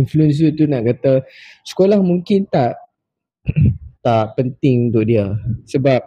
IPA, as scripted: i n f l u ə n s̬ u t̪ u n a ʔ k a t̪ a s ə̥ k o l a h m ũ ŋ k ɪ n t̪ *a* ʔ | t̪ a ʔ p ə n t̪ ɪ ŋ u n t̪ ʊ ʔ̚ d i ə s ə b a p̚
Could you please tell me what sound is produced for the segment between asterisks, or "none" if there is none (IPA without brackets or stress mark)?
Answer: a